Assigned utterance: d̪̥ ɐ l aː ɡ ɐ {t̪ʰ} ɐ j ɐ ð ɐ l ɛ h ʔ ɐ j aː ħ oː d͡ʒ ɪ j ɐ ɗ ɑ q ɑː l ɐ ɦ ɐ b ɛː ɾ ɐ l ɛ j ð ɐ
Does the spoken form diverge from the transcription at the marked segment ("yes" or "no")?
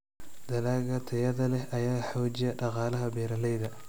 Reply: no